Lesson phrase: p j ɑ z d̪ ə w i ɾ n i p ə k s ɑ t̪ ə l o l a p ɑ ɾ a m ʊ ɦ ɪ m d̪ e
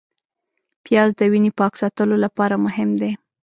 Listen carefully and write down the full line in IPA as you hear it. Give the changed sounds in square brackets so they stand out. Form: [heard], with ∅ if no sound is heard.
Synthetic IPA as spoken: p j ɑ z d̪ ə w i [∅] n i p [ɑ] k s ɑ t̪ ə l o l a p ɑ ɾ a m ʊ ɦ ɪ m d̪ e